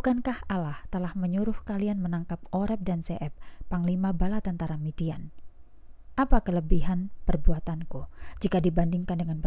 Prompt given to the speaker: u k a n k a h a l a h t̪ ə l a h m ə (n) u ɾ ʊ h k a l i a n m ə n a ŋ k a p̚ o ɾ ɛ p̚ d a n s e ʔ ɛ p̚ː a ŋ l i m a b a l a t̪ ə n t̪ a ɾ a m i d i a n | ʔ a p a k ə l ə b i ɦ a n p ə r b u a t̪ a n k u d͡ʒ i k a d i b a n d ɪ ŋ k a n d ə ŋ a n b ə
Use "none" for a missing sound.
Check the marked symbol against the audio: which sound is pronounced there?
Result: ɲ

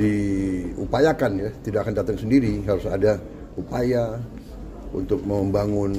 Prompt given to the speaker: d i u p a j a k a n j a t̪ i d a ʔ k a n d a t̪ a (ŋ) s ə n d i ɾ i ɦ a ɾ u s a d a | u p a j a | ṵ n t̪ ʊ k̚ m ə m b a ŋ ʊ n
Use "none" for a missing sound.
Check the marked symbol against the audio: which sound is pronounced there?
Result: ŋ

